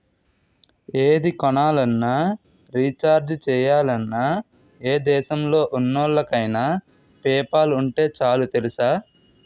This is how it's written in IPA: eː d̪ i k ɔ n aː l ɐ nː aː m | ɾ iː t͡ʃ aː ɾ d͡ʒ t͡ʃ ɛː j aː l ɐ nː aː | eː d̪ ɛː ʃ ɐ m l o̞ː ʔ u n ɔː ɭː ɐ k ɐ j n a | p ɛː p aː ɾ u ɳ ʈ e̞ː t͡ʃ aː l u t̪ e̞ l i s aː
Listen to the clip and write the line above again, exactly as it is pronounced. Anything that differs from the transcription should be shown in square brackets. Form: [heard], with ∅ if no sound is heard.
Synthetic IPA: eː d̪ i k ɔ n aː l ɐ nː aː [∅] | ɾ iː t͡ʃ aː ɾ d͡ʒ t͡ʃ ɛː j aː l ɐ nː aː | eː d̪ ɛː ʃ ɐ m l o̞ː ʔ u [nː] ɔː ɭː ɐ k ɐ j n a | p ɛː p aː [l] u ɳ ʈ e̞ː t͡ʃ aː l u t̪ e̞ l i s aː